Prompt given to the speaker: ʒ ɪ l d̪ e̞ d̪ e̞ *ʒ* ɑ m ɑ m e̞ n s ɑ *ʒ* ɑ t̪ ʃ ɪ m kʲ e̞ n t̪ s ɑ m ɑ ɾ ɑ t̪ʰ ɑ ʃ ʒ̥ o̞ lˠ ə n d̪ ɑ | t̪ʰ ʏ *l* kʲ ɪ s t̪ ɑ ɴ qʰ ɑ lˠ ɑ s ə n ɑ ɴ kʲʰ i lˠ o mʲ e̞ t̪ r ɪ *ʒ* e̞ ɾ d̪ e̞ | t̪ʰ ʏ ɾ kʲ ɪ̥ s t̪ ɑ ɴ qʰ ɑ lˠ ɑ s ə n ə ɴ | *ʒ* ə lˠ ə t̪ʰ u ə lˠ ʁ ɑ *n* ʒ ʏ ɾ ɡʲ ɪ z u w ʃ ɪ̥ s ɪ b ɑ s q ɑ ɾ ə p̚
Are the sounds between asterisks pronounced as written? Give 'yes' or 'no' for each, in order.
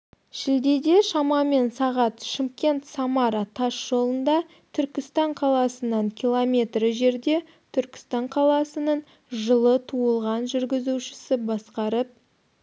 no, no, no, yes, yes, yes

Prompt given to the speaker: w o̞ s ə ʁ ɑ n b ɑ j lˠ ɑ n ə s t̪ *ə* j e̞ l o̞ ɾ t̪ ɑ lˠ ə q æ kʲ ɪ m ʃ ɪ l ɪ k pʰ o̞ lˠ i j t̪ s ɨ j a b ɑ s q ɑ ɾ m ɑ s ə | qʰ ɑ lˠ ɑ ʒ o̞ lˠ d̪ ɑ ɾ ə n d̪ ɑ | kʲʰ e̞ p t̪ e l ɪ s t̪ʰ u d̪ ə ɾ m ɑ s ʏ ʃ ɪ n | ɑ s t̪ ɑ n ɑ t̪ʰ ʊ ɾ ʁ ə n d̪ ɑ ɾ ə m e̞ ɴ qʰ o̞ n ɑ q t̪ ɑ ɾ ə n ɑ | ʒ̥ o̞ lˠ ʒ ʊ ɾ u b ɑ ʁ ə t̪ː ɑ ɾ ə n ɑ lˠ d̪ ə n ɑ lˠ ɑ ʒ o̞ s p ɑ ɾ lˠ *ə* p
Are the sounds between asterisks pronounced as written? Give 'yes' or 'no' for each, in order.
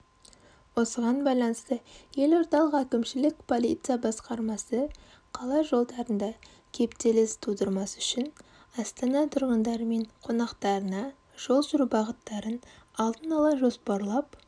yes, no

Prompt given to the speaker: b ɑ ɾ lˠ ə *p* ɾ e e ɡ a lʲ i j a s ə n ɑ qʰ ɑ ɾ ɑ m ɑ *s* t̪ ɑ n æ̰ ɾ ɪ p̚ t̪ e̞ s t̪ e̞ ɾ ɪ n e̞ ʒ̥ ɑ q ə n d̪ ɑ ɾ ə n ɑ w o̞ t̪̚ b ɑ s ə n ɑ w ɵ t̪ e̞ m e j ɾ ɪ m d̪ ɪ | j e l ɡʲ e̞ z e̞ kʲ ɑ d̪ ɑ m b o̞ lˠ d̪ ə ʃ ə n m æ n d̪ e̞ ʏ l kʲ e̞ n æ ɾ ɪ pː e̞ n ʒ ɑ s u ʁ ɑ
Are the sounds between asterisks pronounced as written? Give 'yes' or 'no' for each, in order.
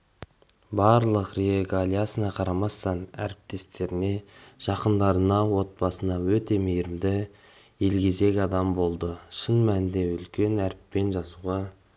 no, yes

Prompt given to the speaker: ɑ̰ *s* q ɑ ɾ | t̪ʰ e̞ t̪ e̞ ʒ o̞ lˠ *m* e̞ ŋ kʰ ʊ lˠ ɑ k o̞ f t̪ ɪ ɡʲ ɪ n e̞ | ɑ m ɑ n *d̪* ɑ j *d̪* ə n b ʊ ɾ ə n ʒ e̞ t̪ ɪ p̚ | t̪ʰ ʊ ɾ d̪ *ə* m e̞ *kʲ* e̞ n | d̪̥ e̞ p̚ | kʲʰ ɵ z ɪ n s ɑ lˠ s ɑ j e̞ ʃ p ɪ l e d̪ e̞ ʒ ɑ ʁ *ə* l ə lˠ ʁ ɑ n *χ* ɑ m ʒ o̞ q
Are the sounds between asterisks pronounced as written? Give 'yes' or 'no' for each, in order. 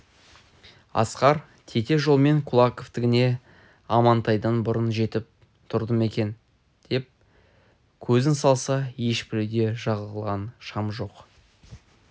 yes, yes, no, yes, yes, yes, yes, no

